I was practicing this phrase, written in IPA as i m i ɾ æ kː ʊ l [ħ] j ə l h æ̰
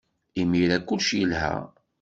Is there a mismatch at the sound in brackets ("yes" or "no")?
yes